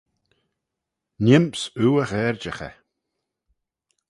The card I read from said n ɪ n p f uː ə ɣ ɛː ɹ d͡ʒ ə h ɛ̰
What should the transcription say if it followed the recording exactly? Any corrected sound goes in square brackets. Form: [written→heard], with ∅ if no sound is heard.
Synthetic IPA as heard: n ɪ [n→m] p [f→s] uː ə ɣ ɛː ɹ d͡ʒ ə [h→x] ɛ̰

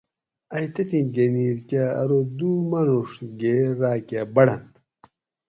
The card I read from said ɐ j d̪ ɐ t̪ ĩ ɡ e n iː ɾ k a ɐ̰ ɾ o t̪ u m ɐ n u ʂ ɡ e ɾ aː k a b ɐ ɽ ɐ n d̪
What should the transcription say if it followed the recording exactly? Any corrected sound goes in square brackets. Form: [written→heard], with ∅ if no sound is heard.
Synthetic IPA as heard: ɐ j [d̪→t̪] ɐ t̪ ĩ ɡ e n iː ɾ k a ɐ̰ ɾ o [t̪→d̪] u m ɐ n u ʂ ɡ e ɾ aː k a b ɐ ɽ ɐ n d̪

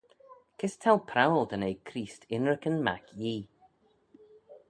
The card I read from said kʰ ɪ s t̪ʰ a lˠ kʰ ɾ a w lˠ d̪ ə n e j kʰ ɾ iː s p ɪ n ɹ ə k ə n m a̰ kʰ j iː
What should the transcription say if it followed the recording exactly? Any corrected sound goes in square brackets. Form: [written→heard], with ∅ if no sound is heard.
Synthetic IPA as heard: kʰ ɪ s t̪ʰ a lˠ [kʰ→pʰ] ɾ a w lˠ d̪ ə n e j kʰ ɾ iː s [p→t] ɪ n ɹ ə k ə n m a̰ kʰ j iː

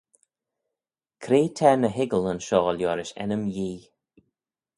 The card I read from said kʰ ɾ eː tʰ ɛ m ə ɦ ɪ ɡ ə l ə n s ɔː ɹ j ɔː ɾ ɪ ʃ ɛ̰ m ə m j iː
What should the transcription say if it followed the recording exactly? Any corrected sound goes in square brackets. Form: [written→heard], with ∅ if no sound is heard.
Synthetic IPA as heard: kʰ ɾ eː tʰ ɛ [m→n] ə ɦ ɪ ɡ ə l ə n [s→ʃ] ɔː [ɹ→l] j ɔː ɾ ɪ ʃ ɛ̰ [m→n] ə m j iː

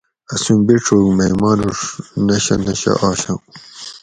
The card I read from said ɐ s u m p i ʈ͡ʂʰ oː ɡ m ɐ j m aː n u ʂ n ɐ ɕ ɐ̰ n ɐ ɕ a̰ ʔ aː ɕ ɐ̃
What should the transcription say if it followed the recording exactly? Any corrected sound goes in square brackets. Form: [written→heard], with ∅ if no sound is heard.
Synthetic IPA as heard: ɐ s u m [p→b] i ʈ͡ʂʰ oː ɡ m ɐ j m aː n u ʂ n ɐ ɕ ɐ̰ n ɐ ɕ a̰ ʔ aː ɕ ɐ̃

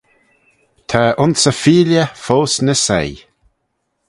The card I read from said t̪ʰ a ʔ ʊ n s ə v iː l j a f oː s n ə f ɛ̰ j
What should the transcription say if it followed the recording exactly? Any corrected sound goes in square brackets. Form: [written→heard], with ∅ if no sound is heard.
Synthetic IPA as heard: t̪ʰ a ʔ ʊ n s ə [v→f] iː l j [a→ə] f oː s n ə [f→s] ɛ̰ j

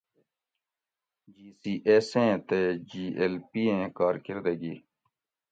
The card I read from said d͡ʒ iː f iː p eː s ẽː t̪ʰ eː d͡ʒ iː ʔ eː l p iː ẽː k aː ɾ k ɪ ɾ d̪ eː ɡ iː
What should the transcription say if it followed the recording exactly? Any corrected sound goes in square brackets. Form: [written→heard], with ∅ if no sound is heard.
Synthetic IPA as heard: d͡ʒ iː [f→s] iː [p→ʔ] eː s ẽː [t̪ʰ→t̪] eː d͡ʒ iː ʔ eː l p iː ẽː k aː ɾ k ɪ ɾ d̪ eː ɡ iː

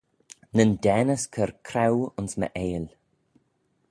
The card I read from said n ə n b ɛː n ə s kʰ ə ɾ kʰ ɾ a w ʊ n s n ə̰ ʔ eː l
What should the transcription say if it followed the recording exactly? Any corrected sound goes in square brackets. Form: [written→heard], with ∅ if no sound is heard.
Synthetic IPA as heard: n ə n [b→d] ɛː n ə s kʰ ə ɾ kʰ ɾ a w ʊ n s [n→m] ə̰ ʔ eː l

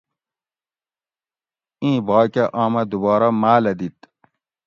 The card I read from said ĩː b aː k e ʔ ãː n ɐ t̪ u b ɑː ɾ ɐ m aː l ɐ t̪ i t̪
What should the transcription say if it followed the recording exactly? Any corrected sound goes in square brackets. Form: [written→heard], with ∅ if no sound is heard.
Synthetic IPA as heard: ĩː b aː k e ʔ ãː [n→m] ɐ [t̪→d̪] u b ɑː ɾ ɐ m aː l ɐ [t̪→d̪] i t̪

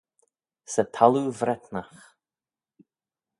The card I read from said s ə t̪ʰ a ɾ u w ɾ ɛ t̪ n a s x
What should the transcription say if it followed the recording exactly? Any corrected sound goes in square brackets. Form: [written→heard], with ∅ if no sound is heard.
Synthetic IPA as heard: s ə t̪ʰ a [ɾ→l] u [w→v] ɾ ɛ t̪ n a [s→∅] x

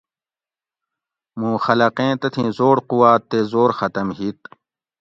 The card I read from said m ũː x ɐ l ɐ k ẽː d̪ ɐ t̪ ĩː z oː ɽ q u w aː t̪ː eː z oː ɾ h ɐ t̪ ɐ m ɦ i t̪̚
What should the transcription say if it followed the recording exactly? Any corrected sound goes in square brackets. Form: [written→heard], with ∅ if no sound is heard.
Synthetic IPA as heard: m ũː x ɐ l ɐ [k→q] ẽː [d̪→t̪] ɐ [t̪→t̪ʰ] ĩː z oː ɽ q u w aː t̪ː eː z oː ɾ [h→x] ɐ t̪ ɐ m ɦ i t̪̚

